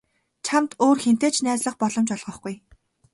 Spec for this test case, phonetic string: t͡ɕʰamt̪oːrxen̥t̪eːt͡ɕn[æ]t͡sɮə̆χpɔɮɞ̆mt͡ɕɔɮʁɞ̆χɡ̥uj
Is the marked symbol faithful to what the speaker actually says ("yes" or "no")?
no